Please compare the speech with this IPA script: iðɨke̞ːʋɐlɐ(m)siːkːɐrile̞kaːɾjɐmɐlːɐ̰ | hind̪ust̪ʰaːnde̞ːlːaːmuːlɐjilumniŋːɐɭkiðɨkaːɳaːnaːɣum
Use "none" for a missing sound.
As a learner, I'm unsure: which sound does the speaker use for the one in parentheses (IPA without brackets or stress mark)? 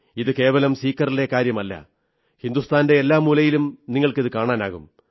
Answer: m